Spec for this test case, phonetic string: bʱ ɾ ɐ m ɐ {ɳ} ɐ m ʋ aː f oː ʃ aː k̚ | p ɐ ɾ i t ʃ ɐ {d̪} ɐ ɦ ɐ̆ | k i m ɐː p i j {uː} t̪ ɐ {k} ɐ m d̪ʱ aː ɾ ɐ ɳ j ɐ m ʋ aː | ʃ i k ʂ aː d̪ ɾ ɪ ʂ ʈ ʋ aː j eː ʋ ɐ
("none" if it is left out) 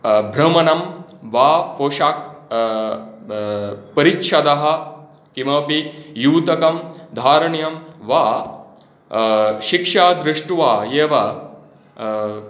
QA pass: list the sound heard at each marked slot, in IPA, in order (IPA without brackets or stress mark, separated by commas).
n, d̪, uː, k